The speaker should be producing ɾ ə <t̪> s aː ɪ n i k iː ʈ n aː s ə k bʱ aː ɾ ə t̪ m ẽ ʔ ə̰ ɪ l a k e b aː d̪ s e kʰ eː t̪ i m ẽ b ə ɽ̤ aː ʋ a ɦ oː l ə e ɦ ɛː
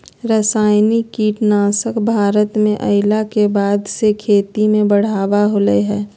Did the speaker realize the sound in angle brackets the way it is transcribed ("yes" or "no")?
no